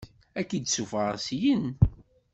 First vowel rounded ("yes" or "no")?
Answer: no